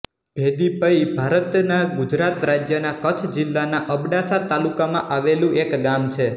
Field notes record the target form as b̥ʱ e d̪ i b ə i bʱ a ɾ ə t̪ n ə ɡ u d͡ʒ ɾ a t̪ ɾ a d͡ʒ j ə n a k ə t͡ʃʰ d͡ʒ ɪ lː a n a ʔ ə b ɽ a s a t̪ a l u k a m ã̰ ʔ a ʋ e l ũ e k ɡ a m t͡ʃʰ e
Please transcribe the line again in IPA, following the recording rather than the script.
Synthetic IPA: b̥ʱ e d̪ i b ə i bʱ a ɾ ə t̪ n a ɡ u d͡ʒ ɾ a t̪ ɾ a d͡ʒ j ə n a k ə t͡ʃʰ d͡ʒ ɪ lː a n a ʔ ə b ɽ a s a t̪ a l u k a m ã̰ ʔ a ʋ e l ũ e k ɡ a m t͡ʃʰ e